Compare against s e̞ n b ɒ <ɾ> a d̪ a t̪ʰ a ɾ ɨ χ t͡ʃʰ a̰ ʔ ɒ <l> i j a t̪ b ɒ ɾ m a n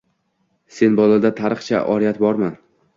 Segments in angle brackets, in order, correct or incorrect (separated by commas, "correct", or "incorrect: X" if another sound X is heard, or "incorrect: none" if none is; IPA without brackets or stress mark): incorrect: l, incorrect: ɾ